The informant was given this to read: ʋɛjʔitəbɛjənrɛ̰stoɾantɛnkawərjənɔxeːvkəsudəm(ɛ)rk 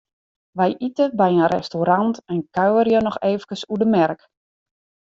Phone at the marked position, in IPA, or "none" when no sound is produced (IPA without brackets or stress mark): ɛ